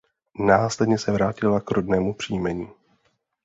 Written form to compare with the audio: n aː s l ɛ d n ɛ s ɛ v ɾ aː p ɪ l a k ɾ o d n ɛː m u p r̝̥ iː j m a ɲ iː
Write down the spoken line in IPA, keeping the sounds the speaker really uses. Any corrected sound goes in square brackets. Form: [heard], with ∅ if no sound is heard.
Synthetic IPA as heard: n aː s l ɛ d [ɲ] ɛ s ɛ v ɾ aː [c] ɪ l a k ɾ o d n ɛː m u p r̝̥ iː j m [ɛ] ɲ iː

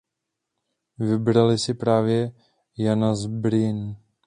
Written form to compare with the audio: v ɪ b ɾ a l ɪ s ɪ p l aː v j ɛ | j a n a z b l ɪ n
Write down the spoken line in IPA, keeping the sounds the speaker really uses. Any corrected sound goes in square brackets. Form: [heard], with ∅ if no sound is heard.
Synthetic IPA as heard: v ɪ b ɾ a l ɪ s ɪ p [ɾ] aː v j ɛ | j a n a z b [ɾ] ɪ n

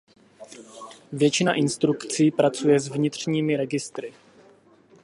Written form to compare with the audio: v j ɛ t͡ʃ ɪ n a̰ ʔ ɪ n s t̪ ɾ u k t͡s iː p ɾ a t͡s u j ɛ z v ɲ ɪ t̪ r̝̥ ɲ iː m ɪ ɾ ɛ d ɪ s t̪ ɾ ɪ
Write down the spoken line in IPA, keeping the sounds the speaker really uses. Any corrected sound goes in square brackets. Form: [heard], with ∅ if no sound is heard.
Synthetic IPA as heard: v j ɛ t͡ʃ ɪ n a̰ ʔ ɪ n s t̪ ɾ u k t͡s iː p ɾ a t͡s u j ɛ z v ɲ ɪ t̪ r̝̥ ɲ iː m ɪ ɾ ɛ [ɡ] ɪ s t̪ ɾ ɪ

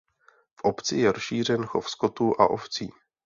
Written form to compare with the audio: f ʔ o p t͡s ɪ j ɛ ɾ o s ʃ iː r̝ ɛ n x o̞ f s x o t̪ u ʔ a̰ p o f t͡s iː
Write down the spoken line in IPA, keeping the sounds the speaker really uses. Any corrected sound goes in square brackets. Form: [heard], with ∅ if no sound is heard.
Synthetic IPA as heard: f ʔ o p t͡s ɪ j ɛ ɾ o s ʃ iː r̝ ɛ n x o̞ f s [k] o t̪ u ʔ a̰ [ʔ] o f t͡s iː

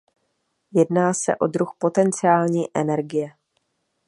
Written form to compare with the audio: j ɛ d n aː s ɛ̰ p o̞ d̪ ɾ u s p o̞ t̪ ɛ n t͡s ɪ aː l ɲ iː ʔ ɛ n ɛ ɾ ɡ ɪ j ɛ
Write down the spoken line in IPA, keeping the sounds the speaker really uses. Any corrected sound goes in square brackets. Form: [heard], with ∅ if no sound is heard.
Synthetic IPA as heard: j ɛ d n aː s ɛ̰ [ʔ] o̞ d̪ ɾ u [x] p o̞ t̪ ɛ n t͡s ɪ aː l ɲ iː ʔ ɛ n ɛ ɾ ɡ ɪ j ɛ

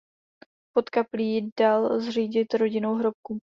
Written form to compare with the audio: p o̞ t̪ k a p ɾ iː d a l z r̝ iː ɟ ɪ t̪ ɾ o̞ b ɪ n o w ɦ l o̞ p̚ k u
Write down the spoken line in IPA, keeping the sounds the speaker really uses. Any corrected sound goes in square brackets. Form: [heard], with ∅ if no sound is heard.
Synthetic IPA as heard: p o̞ t̪ k a p [l] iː d a l z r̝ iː ɟ ɪ t̪ ɾ o̞ [ɟ] ɪ n o w ɦ [ɾ] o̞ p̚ k u

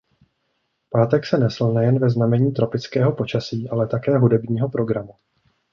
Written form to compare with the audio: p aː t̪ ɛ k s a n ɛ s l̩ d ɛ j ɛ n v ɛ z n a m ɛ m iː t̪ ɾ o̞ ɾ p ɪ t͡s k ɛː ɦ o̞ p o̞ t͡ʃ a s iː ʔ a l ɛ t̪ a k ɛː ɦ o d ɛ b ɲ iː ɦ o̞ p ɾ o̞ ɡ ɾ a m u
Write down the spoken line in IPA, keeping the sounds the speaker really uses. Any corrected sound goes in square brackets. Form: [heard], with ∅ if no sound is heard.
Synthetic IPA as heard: p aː t̪ ɛ k s [ɛ] n ɛ s l̩ [n] ɛ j ɛ n v ɛ z n a m ɛ [ɲ] iː t̪ ɾ o̞ [∅] p ɪ t͡s k ɛː ɦ o̞ p o̞ t͡ʃ a s iː ʔ a l ɛ t̪ a k ɛː ɦ [u] d ɛ b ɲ iː ɦ o̞ p ɾ o̞ ɡ ɾ a m u

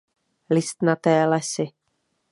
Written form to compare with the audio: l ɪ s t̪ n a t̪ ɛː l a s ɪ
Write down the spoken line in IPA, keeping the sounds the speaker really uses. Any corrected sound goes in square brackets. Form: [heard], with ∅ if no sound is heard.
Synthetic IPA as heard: l ɪ s t̪ n a t̪ ɛː l [ɛ] s ɪ

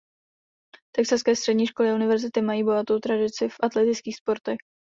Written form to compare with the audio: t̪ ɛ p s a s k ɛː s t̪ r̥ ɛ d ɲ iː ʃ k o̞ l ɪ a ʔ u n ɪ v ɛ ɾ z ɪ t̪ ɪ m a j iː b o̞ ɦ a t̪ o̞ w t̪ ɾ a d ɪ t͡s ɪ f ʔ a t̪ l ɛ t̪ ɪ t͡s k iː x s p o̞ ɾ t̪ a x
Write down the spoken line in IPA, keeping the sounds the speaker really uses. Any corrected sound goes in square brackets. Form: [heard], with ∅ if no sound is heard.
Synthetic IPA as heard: t̪ ɛ [k] s a s k ɛː s t̪ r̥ ɛ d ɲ iː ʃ k o̞ l ɪ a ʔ u n ɪ v ɛ ɾ z ɪ t̪ ɪ m a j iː b o̞ ɦ a t̪ o̞ w t̪ ɾ a d ɪ t͡s ɪ f ʔ a t̪ l ɛ t̪ ɪ t͡s k iː x s p o̞ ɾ t̪ [ɛ] x

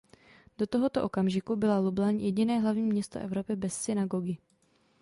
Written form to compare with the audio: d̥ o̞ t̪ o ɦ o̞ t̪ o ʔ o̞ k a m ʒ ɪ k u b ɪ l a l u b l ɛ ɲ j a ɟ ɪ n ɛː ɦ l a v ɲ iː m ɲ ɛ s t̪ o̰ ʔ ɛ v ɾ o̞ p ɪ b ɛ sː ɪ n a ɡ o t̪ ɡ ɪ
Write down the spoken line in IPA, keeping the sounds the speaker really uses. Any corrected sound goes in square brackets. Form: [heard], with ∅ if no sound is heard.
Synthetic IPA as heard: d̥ o̞ t̪ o ɦ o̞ t̪ o ʔ o̞ k a m ʒ ɪ k u b ɪ l a l u b l [a] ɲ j [ɛ] ɟ ɪ n ɛː ɦ l a v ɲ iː m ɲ ɛ s t̪ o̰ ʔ ɛ v ɾ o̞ p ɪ b ɛ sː ɪ n a ɡ o [∅] ɡ ɪ

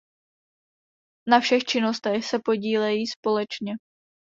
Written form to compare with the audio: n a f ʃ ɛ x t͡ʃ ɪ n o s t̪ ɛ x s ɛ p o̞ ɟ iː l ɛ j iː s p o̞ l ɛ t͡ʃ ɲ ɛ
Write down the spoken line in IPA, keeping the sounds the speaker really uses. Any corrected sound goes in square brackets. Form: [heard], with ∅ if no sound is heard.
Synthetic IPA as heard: n a f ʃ ɛ x t͡ʃ ɪ n o s t̪ ɛ x s ɛ p o̞ ɟ iː l ɛ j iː s p o̞ l ɛ t͡ʃ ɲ ɛ

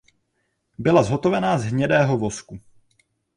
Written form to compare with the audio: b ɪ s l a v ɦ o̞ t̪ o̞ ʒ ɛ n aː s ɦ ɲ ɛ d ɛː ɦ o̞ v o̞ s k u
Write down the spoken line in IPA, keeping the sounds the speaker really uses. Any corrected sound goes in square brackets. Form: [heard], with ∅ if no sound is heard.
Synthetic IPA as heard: b ɪ [∅] l a [z] ɦ o̞ t̪ o̞ [v] ɛ n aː [z] ɦ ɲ ɛ d ɛː ɦ o̞ v o̞ s k u

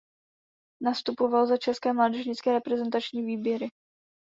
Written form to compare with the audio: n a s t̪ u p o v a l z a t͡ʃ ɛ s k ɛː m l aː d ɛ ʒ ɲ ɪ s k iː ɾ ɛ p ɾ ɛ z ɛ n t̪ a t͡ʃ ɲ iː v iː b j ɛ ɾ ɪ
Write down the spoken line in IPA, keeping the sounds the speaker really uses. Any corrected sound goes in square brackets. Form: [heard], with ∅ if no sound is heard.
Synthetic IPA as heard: n a s t̪ u p o v a l z a t͡ʃ ɛ s k ɛː m l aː d ɛ ʒ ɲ ɪ [t͡s] k [ɛː] ɾ ɛ p ɾ ɛ z ɛ n t̪ a t͡ʃ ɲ iː v iː b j ɛ ɾ ɪ

